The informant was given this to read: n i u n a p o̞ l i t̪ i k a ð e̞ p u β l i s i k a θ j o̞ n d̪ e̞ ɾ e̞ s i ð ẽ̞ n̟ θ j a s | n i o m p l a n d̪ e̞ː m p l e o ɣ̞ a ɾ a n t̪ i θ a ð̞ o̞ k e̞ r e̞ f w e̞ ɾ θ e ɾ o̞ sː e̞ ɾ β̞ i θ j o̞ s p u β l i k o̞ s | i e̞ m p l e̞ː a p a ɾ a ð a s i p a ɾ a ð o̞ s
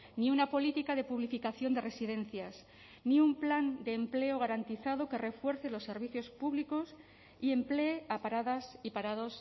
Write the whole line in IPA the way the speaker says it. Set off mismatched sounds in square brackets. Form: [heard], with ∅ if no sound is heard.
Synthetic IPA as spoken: n i u n a p o̞ l i t̪ i k a ð e̞ p u β l i [f] i k a θ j o̞ n d̪ e̞ [r] e̞ s i ð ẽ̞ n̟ θ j a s | n i [u] m p l a n d̪ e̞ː m p l e o ɣ̞ a ɾ a n t̪ i θ a ð̞ o̞ k e̞ r e̞ f w e̞ ɾ θ e [l] o̞ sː e̞ ɾ β̞ i θ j o̞ s p u β l i k o̞ s | i e̞ m p l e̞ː a p a ɾ a ð a s i p a ɾ a ð o̞ s